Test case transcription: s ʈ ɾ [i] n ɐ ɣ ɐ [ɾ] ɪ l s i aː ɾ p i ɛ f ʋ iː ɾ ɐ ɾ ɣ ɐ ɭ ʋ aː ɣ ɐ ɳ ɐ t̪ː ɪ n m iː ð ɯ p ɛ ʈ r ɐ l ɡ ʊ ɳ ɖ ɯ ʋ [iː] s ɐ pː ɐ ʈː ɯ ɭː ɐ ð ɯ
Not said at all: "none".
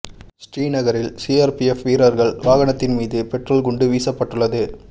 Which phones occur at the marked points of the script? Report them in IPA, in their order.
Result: iː, ɾ, iː

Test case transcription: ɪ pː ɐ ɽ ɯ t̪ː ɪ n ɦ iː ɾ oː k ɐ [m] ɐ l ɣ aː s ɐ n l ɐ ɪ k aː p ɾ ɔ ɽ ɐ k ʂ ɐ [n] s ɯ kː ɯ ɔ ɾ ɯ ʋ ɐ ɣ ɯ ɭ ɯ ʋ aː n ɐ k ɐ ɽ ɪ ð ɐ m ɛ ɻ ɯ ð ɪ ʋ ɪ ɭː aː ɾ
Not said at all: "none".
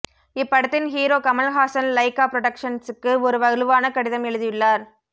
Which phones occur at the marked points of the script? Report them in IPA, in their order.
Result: m, n

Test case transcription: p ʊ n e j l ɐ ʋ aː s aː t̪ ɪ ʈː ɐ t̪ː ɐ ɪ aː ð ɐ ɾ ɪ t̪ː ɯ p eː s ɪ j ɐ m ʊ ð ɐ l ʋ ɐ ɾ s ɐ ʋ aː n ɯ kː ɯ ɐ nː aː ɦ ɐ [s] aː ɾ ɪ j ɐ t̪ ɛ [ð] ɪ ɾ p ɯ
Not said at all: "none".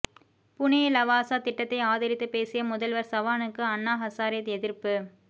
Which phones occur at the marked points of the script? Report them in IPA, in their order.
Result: s, ð

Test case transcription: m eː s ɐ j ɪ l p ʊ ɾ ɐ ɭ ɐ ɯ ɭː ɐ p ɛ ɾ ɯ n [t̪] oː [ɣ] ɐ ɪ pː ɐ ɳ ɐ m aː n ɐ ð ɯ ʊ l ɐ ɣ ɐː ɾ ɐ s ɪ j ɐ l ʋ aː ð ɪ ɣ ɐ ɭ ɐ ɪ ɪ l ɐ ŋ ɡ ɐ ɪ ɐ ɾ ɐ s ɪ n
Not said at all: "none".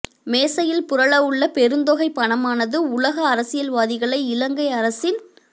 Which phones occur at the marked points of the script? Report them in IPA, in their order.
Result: d̪, ɣ

